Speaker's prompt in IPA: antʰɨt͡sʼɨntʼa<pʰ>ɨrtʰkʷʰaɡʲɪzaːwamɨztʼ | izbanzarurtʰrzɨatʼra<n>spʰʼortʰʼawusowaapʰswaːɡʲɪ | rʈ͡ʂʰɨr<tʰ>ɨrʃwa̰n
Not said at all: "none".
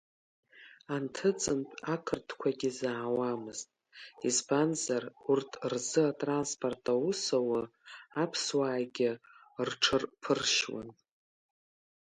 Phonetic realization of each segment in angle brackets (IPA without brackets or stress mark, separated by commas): kʰ, n, pʰ